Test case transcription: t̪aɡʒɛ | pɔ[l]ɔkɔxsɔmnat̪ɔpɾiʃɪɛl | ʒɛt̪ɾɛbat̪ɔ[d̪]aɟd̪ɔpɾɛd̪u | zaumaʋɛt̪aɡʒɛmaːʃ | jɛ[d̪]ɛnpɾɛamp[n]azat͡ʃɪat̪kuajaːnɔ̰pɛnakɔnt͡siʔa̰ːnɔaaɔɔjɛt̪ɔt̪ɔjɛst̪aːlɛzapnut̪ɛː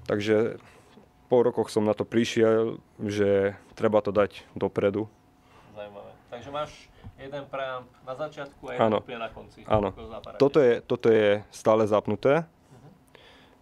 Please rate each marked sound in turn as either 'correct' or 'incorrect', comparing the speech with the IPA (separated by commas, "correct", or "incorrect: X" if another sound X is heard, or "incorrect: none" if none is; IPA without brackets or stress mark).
incorrect: ɾ, correct, correct, correct